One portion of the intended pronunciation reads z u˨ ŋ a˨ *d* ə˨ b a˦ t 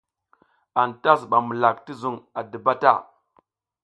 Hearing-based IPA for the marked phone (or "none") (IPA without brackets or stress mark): d